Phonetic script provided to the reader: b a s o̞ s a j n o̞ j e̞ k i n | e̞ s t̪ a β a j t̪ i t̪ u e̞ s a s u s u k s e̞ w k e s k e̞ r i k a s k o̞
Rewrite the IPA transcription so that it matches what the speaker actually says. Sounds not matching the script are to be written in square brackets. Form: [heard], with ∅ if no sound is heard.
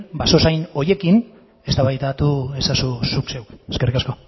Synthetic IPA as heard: b a s o̞ s a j n o̞ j e̞ k i n | e̞ s t̪ a β a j t̪ [a] t̪ u e̞ s a s u s u k s e̞ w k e s k e̞ r i k a s k o̞